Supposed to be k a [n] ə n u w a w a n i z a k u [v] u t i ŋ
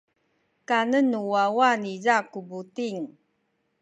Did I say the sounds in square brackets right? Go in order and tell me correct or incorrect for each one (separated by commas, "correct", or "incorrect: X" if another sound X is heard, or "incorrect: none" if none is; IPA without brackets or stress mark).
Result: correct, incorrect: b